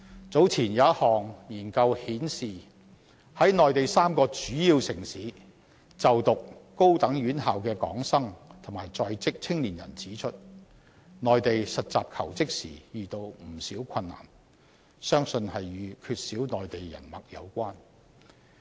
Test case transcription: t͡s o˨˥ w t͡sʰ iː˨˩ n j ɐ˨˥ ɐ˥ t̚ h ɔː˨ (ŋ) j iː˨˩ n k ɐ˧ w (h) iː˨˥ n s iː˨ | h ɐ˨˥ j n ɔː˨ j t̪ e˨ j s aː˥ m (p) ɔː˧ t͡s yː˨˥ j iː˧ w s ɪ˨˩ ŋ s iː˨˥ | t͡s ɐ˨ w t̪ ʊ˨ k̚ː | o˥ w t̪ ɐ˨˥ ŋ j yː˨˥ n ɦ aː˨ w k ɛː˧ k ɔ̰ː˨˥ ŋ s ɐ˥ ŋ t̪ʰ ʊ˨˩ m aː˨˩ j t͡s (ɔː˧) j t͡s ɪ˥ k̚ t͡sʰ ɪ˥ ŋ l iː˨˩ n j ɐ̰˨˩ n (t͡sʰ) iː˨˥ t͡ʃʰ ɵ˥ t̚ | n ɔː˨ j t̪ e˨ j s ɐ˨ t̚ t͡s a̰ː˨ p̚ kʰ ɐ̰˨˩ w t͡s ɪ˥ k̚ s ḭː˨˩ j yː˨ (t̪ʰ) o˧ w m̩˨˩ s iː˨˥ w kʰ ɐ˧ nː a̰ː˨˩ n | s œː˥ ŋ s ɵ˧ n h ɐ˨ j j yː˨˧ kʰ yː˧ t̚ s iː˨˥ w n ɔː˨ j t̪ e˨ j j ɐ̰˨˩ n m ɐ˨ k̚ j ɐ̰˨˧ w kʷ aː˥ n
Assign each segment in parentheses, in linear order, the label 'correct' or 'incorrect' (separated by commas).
correct, correct, incorrect, correct, incorrect, incorrect